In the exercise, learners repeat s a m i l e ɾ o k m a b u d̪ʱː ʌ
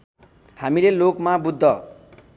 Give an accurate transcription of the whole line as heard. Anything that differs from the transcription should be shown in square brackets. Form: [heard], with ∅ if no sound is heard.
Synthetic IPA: [h] a m i l e [l] o k m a b u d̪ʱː ʌ